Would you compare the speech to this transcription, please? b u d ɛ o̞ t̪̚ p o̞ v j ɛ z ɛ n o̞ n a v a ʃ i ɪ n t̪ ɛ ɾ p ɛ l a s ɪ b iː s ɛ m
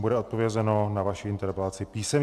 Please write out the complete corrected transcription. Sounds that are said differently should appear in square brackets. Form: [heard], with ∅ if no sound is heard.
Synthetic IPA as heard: b u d ɛ o̞ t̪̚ p o̞ v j ɛ z ɛ n o̞ n a v a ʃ i ɪ n t̪ ɛ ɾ p ɛ l a [t͡s] ɪ [p] iː s ɛ m